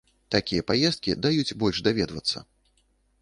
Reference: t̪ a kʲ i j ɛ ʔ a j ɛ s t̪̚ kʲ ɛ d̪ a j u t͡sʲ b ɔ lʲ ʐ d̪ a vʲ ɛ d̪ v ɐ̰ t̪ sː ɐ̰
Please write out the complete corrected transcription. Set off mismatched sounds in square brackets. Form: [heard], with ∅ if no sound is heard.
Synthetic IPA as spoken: t̪ a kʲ i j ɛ [p] a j ɛ s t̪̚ kʲ [i] d̪ a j u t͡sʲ b ɔ lʲ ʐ d̪ a vʲ ɛ d̪ v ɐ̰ t̪ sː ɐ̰